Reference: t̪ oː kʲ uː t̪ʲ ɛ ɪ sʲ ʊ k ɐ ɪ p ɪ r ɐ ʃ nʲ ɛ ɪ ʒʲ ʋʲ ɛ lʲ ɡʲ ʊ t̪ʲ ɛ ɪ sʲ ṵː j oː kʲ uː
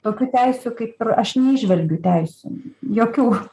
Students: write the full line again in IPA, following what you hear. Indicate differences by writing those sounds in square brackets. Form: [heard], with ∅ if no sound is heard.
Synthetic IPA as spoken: t̪ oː kʲ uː t̪ʲ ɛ ɪ sʲ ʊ k ɐ ɪ p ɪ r ɐ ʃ nʲ ɛ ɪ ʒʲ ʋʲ ɛ lʲ ɡʲ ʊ t̪ʲ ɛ ɪ sʲ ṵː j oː kʲ uː